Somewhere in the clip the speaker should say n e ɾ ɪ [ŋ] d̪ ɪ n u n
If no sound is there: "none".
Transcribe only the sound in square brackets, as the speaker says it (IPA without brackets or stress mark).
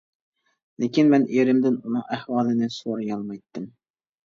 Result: m